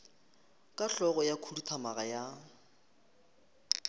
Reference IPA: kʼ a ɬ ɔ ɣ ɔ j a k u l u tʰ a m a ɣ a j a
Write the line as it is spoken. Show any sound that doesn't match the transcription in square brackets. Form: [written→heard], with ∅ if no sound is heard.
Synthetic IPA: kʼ a ɬ ɔ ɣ ɔ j a [k→kʰ] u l u tʰ a m a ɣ a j a